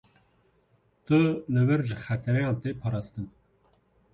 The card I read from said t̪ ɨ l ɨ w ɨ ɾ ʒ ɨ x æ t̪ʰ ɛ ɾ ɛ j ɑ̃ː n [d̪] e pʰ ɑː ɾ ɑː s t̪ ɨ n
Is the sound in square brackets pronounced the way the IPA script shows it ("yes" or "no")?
no